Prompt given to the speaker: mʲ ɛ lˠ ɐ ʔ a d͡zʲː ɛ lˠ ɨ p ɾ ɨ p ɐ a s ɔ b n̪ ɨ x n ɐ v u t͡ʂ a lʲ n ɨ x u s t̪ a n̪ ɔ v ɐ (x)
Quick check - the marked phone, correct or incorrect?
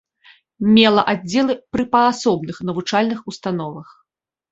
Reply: correct